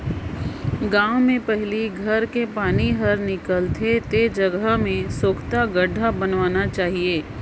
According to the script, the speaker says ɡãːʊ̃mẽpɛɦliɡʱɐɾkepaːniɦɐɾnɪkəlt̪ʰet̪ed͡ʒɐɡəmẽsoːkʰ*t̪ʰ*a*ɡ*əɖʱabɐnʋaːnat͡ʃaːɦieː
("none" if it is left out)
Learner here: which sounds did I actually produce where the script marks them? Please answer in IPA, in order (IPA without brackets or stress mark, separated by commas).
t̪, ɡ